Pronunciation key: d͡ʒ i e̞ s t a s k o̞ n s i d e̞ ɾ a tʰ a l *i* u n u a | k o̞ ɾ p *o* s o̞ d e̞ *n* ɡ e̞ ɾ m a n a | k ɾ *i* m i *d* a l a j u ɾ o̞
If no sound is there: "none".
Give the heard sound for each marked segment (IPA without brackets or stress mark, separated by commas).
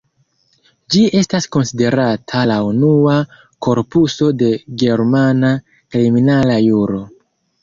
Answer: a, u, none, i, n